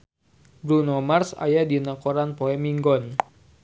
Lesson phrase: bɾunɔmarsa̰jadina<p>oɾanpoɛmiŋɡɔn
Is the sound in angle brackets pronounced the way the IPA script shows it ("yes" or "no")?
no